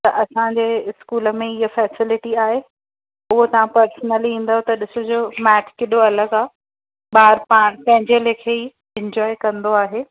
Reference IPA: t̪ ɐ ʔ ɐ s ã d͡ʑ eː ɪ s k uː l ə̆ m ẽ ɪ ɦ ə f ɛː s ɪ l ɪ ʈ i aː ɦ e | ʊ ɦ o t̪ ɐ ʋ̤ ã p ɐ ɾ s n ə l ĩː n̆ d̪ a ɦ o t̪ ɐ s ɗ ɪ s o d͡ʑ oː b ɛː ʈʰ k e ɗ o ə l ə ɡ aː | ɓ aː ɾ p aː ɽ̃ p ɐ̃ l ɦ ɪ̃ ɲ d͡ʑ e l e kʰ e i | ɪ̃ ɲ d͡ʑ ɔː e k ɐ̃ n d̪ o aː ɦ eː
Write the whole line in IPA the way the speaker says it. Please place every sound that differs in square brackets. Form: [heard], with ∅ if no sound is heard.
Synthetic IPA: t̪ ɐ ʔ ɐ s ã d͡ʑ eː ɪ s k uː l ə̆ m ẽ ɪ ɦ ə f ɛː s ɪ l ɪ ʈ i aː ɦ e | ʊ ɦ o t̪ ɐ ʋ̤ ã p ɐ ɾ s n ə l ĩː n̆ d̪ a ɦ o t̪ ɐ [∅] ɗ ɪ s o d͡ʑ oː [m] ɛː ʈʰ k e ɗ o [ɐ] l ə ɡ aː | ɓ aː ɾ p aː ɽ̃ p ɐ̃ [∅] ɦ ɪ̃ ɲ d͡ʑ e l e kʰ e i | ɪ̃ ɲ d͡ʑ ɔː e k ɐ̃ n d̪ o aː ɦ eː